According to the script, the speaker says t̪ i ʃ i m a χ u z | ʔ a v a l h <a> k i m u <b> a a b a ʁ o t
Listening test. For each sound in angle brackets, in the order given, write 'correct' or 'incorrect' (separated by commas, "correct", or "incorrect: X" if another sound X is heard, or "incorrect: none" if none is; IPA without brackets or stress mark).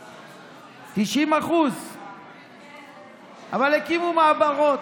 incorrect: e, incorrect: m